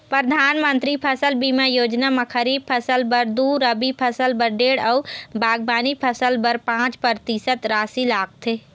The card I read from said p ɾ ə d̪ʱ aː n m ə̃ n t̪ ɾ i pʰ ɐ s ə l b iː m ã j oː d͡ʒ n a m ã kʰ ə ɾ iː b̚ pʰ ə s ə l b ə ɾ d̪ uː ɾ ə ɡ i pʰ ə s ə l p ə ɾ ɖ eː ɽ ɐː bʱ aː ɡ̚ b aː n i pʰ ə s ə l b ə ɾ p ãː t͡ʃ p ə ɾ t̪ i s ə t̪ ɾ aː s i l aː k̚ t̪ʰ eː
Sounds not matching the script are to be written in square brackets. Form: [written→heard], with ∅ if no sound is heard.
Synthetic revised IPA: p ɾ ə d̪ʱ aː n m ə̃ n t̪ ɾ i pʰ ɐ s ə l b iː m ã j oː d͡ʒ n a m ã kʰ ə ɾ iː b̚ pʰ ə s ə l b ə ɾ d̪ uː ɾ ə [ɡ→b] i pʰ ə s ə l [p→b] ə ɾ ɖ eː ɽ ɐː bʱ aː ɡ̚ b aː n i pʰ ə s ə l b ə ɾ p ãː t͡ʃ p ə ɾ t̪ i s ə t̪ ɾ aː s i l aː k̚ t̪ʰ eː